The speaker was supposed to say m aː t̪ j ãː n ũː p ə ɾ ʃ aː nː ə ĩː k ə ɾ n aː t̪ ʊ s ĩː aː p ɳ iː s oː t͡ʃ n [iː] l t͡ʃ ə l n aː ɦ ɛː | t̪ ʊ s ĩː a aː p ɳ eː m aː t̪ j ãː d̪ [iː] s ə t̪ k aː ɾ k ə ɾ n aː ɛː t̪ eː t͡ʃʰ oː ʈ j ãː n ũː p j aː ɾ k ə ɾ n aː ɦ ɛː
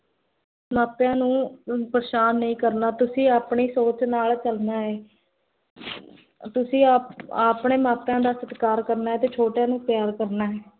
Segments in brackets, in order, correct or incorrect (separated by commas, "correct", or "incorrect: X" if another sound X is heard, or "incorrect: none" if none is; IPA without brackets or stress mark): incorrect: aː, incorrect: aː